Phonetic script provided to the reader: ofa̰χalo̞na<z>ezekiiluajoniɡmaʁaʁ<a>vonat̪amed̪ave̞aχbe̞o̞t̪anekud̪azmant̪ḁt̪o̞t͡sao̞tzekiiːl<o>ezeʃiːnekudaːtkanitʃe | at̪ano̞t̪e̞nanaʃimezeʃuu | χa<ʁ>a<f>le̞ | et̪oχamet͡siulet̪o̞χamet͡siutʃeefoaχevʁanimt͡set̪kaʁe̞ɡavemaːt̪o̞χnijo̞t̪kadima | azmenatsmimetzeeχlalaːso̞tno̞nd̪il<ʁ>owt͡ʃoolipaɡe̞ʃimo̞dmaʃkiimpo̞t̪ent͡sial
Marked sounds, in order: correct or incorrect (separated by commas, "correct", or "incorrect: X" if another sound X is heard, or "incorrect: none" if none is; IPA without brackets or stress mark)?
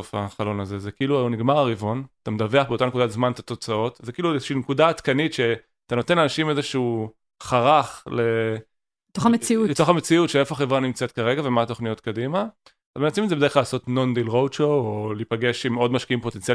correct, incorrect: i, incorrect: u, correct, incorrect: χ, correct